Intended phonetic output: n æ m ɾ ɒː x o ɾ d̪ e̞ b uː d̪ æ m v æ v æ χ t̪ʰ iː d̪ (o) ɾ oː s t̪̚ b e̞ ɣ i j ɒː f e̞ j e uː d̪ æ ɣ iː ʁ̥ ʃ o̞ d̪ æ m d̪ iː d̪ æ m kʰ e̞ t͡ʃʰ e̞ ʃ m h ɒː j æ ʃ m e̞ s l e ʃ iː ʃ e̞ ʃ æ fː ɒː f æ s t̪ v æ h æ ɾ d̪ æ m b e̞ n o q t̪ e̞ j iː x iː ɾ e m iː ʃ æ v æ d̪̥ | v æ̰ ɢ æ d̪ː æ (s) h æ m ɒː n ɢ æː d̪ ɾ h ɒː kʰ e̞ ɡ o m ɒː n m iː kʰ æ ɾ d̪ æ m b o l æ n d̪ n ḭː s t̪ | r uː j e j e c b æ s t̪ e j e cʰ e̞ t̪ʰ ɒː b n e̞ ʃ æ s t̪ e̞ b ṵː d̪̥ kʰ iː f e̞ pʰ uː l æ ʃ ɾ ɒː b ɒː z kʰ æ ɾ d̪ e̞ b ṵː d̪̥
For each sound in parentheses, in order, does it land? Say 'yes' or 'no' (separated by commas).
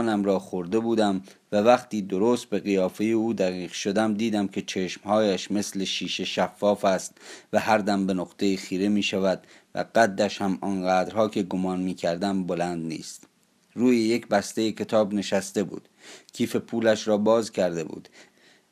yes, no